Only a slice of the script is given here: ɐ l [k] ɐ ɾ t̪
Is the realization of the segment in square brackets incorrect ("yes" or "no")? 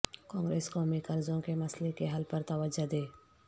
yes